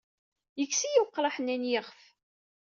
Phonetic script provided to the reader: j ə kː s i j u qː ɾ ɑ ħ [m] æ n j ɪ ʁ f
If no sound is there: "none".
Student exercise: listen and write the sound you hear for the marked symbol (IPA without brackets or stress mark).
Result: n